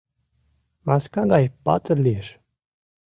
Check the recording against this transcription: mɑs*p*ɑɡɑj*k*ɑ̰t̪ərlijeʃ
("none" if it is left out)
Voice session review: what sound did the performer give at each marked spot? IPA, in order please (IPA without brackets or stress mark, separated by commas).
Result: k, p